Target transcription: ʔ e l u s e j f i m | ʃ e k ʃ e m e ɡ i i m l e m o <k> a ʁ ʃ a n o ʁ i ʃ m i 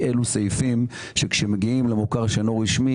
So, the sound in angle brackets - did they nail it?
yes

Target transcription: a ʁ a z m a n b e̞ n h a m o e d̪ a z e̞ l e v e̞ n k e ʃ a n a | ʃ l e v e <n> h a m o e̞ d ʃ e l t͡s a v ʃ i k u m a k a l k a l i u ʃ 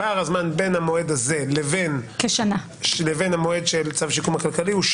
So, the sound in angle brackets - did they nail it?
yes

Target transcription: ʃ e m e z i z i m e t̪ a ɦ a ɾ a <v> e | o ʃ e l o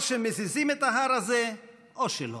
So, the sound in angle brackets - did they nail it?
no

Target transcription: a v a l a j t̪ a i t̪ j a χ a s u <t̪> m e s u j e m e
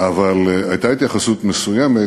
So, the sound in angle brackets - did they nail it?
yes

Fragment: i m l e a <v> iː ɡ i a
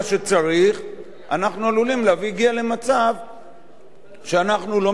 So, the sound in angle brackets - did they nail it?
yes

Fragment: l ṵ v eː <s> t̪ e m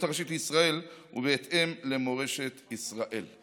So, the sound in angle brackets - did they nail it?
no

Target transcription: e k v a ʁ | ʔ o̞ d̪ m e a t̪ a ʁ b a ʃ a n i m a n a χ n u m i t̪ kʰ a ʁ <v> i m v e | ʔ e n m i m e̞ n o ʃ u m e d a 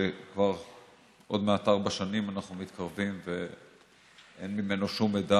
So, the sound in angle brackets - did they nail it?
yes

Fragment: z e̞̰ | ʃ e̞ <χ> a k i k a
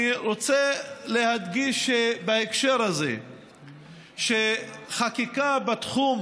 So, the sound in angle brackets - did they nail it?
yes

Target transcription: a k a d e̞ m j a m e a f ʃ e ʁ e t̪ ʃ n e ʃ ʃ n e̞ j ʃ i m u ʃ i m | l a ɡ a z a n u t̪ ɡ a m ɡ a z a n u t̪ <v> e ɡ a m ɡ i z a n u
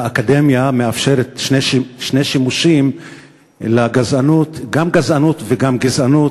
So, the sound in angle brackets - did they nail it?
yes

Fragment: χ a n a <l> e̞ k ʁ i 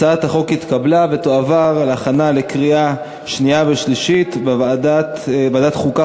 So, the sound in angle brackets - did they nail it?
yes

